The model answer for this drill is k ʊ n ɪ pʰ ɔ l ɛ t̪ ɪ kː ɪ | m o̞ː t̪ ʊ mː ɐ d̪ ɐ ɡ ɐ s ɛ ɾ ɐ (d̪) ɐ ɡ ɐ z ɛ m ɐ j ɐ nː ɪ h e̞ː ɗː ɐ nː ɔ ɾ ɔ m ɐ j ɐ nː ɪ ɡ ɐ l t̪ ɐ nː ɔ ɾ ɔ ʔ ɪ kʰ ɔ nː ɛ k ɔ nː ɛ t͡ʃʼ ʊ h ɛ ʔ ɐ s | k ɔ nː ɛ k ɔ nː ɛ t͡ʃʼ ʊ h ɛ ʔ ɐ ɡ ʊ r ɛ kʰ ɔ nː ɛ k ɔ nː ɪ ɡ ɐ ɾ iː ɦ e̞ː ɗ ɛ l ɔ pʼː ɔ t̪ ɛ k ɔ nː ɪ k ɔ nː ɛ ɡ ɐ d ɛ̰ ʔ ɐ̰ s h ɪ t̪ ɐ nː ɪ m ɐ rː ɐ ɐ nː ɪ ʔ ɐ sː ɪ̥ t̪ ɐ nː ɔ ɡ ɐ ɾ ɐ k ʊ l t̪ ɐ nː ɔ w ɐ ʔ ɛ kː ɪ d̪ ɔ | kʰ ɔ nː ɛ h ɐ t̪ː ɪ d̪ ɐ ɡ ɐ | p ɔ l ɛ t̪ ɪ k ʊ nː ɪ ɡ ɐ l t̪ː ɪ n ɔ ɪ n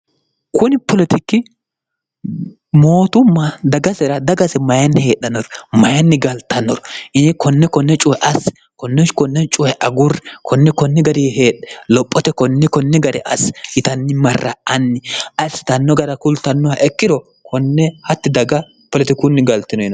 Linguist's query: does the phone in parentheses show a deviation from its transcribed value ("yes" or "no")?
no